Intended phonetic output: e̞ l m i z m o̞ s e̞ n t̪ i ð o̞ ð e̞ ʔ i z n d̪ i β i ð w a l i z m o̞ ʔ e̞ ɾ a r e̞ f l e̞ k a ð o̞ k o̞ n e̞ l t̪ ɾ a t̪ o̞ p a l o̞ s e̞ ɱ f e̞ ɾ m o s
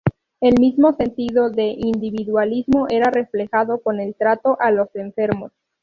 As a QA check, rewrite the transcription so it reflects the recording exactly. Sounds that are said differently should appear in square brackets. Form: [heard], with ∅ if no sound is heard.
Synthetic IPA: e̞ l m i z m o̞ s e̞ n t̪ i ð o̞ ð e̞ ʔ i [∅] n d̪ i β i ð w a l i z m o̞ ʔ e̞ ɾ a r e̞ f l e̞ [x] a ð o̞ k o̞ n e̞ l t̪ ɾ a t̪ o̞ [ʔ] a l o̞ s e̞ ɱ f e̞ ɾ m o s